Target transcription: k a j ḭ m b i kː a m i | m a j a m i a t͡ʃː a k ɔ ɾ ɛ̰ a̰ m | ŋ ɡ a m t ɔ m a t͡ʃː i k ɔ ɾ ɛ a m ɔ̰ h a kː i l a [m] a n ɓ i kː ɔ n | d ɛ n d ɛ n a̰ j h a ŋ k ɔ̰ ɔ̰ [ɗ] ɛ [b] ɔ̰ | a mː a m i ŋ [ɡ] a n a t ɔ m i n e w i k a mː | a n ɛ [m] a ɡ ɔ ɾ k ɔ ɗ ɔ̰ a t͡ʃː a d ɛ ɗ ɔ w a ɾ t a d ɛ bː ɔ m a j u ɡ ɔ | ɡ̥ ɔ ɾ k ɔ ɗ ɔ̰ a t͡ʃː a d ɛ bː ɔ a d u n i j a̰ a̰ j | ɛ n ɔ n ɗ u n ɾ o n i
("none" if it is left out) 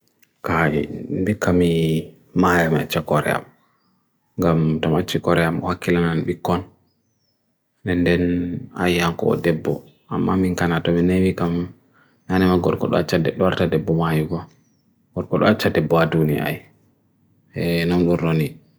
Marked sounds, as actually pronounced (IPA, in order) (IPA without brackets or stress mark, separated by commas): n, d, bː, k, m